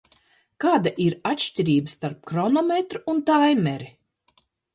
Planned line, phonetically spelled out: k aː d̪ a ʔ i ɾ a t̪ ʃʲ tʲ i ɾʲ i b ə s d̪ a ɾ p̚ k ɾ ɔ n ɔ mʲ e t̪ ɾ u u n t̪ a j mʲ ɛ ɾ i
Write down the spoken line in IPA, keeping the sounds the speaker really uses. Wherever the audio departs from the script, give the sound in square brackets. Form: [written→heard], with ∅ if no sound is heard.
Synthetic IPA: k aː d̪ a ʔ i ɾ a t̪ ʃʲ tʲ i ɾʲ [i→iː] b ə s [d̪→t̪] a ɾ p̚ k ɾ ɔ n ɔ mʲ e t̪ ɾ u u n t̪ a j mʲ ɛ ɾ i